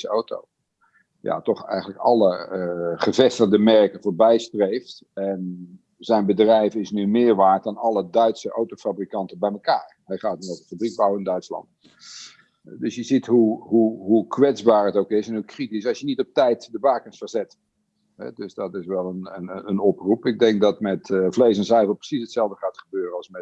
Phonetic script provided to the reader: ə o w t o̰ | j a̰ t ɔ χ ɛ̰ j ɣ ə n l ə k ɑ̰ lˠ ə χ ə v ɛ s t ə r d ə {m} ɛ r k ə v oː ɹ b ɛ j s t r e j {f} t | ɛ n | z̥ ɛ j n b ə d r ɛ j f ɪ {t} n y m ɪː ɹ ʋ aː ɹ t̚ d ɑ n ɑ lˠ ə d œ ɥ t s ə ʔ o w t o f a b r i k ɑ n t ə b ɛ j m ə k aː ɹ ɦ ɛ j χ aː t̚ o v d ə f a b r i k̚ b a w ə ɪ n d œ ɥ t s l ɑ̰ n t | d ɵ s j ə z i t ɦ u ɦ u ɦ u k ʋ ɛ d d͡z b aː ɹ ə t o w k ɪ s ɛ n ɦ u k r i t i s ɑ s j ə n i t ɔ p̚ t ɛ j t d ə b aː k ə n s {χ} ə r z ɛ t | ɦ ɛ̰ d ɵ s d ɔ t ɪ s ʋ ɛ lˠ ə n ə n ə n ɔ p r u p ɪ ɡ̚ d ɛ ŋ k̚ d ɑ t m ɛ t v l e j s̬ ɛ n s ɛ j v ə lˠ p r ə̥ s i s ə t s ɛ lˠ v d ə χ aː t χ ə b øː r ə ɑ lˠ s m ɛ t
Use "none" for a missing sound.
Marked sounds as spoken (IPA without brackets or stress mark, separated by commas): m, f, s, f